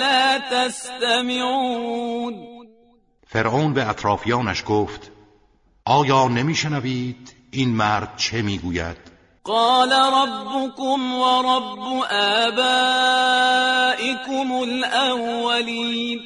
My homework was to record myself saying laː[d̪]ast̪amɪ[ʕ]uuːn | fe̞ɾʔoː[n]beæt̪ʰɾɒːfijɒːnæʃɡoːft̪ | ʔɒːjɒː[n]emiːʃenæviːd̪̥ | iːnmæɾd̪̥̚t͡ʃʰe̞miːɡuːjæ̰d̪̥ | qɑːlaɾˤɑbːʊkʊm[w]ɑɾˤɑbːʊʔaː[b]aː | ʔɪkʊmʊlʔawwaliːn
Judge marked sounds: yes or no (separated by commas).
no, yes, yes, yes, yes, yes